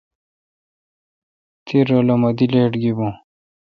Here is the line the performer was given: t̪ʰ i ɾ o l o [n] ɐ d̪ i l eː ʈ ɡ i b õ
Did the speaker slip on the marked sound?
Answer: yes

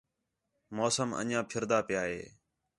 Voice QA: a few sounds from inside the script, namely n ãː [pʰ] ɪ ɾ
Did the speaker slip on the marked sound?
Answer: no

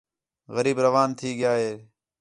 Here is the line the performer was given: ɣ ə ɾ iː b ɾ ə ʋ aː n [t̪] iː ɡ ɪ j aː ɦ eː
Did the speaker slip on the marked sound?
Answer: yes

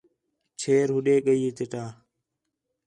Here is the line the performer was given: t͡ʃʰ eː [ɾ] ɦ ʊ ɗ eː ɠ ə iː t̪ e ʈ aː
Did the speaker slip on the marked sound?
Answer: no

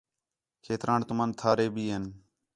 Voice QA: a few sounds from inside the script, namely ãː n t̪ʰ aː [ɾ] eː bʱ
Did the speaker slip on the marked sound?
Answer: no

